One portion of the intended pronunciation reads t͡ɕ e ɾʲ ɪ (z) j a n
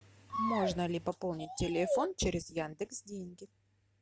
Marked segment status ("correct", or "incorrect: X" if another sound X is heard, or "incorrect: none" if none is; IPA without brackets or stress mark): correct